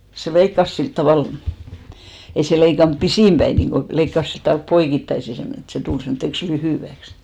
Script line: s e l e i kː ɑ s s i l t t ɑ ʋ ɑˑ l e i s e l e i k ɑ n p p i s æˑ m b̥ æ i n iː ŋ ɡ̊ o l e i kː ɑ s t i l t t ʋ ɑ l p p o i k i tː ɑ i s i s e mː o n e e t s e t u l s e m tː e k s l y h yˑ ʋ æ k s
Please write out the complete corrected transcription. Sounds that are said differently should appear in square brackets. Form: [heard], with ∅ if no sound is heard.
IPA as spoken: s e l e i kː ɑ s s i l t t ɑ ʋ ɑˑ l e i s e l e i k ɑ n p p i s [iˑ] m b̥ æ i n iː ŋ ɡ̊ o l e i kː ɑ s [s] i l t t ʋ ɑ l p p o i k i tː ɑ i s i s e mː o n e e t s e t u l s e m tː e k s l y h yˑ ʋ æ k s